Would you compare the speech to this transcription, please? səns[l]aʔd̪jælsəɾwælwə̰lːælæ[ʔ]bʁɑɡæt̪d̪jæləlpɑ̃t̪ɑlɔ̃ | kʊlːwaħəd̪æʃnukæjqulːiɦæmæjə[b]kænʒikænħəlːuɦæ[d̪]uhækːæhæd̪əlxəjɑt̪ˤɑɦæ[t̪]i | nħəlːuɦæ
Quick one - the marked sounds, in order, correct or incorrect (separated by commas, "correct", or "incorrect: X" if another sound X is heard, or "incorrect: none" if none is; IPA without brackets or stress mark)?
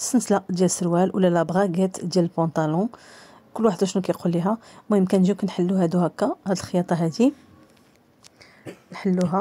correct, incorrect: none, incorrect: m, correct, incorrect: d̪